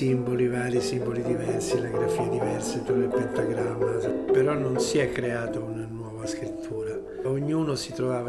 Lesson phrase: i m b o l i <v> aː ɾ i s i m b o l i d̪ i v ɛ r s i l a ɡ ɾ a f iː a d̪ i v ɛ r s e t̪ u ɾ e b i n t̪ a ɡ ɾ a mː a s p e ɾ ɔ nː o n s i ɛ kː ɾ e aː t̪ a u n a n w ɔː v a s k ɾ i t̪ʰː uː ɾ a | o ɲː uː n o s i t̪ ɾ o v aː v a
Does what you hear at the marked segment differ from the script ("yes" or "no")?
no